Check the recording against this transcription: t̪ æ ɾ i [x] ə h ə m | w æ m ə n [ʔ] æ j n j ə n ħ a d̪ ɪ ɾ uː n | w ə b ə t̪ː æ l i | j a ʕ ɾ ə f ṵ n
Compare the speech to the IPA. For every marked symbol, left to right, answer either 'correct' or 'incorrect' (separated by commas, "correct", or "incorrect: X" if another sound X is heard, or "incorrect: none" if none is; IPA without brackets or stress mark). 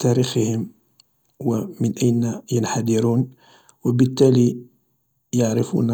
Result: correct, correct